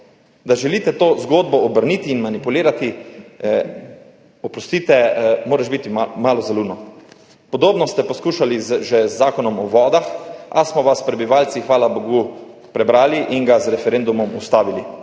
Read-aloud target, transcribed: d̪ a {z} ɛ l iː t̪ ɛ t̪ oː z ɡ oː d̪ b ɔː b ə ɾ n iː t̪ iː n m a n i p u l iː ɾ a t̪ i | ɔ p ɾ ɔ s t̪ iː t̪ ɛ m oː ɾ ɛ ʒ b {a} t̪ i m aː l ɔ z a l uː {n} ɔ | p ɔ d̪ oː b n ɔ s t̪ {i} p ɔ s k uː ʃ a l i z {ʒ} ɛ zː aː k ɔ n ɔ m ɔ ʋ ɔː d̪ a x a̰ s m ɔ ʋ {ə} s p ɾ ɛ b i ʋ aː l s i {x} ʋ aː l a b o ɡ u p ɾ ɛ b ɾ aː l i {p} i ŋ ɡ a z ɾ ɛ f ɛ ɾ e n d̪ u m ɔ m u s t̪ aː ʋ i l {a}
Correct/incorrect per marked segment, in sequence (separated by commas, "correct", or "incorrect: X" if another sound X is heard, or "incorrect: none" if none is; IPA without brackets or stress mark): incorrect: ʒ, incorrect: i, correct, incorrect: ɛ, correct, incorrect: a, correct, incorrect: ʔ, incorrect: i